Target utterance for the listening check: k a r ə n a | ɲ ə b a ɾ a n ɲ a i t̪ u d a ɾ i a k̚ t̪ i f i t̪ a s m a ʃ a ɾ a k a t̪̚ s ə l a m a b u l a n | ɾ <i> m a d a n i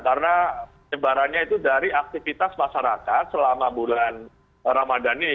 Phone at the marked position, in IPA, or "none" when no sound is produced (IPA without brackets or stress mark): a